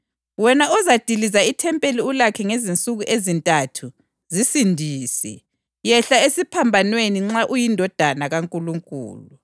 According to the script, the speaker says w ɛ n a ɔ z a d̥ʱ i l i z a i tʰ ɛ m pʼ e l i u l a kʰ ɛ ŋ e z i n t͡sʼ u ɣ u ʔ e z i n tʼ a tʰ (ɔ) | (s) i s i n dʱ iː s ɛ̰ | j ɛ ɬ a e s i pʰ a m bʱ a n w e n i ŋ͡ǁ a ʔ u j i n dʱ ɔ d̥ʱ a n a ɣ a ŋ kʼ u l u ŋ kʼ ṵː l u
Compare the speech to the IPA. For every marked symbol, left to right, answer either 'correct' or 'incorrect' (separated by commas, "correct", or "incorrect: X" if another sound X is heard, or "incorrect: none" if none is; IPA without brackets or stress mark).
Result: incorrect: u, incorrect: z